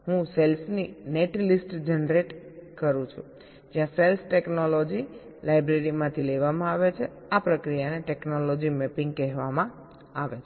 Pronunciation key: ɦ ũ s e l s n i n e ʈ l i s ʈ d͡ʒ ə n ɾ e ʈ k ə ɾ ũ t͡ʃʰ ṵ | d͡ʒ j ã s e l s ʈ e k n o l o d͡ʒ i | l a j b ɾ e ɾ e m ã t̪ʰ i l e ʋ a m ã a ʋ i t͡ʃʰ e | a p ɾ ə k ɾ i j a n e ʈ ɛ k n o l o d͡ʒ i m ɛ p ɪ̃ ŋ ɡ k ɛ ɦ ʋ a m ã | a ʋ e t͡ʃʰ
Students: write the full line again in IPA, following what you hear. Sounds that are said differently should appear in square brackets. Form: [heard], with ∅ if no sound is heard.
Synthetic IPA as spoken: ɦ ũ s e l s n i n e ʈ l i s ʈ d͡ʒ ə n ɾ e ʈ k ə ɾ ũ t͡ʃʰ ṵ | d͡ʒ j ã s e l s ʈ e k n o l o d͡ʒ i | l a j b ɾ e ɾ [i] m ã t̪ʰ i l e ʋ a m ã a ʋ [e] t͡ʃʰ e | a p ɾ ə k ɾ i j a n e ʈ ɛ k n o l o d͡ʒ i m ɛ p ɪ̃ ŋ ɡ k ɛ ɦ ʋ a m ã | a ʋ e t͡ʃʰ